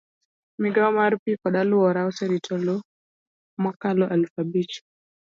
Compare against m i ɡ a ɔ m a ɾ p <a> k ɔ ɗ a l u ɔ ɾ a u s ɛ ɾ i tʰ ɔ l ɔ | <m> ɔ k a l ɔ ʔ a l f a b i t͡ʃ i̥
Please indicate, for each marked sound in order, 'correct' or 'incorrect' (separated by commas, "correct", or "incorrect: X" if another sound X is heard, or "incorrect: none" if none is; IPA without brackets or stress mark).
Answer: incorrect: i, correct